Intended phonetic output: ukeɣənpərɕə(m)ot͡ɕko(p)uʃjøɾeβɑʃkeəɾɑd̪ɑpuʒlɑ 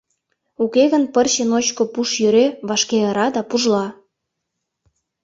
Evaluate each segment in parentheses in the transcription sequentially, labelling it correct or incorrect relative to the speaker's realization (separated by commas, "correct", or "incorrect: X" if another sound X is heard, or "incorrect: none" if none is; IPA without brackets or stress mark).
incorrect: n, correct